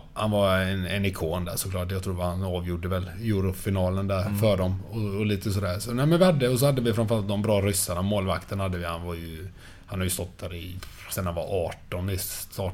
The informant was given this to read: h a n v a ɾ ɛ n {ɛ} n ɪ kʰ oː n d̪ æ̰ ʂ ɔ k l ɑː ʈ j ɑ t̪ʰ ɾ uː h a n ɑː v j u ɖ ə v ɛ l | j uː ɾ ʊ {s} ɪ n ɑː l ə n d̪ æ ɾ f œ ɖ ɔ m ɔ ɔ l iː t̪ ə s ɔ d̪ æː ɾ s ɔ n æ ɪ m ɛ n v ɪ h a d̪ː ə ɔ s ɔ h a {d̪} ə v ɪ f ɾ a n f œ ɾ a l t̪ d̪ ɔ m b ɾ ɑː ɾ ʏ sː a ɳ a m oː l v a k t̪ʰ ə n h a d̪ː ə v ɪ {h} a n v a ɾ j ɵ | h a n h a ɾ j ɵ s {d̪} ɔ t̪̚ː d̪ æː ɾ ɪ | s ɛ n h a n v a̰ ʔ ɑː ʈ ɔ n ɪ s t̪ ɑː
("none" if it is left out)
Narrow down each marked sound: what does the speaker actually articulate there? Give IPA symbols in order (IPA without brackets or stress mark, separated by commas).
ɛ, f, d̪ː, h, t̪